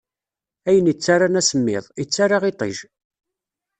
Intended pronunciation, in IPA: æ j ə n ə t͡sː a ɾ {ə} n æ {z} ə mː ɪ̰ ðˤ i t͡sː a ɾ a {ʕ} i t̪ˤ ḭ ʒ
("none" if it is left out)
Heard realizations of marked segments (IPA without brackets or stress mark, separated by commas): a, s, ʁ